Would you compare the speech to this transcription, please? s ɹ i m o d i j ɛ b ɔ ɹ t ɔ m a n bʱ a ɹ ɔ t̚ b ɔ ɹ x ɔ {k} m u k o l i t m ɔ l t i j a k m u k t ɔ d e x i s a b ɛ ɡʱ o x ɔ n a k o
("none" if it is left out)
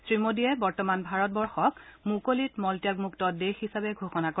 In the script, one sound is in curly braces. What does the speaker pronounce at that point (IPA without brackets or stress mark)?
k